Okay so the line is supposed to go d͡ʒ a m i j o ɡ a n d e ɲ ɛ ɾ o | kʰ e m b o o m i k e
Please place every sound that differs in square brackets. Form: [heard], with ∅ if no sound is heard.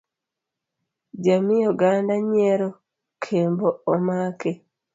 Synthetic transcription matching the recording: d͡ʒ a m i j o ɡ a n d [a] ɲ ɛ ɾ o | kʰ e m b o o m [a] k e